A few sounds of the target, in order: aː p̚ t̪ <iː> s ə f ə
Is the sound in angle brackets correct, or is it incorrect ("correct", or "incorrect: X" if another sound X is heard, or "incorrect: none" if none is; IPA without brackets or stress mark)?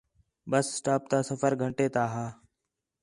incorrect: aː